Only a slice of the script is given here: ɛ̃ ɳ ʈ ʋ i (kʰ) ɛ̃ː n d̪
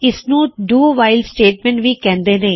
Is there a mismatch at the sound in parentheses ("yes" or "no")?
yes